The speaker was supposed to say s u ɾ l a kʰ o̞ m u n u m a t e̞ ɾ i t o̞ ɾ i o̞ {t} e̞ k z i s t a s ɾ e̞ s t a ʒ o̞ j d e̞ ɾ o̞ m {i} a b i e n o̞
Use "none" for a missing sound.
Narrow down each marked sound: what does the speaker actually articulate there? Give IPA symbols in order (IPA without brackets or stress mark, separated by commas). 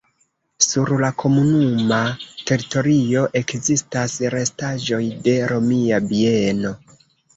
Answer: ʔ, i